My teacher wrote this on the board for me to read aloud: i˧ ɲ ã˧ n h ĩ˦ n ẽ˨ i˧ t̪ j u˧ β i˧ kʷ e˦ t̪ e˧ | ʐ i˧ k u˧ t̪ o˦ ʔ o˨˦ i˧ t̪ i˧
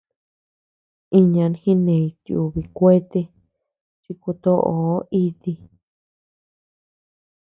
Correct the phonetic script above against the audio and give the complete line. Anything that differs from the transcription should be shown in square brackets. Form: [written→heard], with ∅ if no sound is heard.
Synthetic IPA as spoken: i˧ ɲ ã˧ n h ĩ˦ n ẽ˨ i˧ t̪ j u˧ β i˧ kʷ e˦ t̪ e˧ | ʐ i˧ k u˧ t̪ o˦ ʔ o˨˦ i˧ t̪ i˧